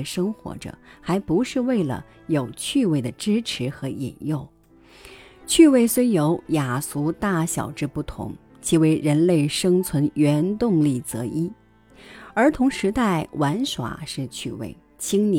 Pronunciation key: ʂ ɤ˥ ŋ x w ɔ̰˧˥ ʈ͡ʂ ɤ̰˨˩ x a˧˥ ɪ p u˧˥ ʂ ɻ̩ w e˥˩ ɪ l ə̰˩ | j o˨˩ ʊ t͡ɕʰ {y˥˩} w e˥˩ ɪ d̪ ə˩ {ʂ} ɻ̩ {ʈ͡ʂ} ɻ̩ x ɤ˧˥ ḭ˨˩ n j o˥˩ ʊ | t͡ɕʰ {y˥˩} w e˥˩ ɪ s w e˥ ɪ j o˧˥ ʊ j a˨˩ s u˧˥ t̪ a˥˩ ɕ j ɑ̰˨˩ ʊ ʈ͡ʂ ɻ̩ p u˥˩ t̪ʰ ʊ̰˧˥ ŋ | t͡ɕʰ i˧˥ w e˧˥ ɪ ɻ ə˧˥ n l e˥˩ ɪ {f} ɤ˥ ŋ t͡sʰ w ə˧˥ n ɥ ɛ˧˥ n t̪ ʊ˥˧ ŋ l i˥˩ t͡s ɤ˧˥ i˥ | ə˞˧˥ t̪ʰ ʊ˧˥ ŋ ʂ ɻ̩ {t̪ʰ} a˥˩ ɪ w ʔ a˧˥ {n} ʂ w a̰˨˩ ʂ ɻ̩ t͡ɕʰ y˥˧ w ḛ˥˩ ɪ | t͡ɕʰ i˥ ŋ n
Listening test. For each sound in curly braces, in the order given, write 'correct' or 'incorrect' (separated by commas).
incorrect, incorrect, incorrect, incorrect, incorrect, incorrect, correct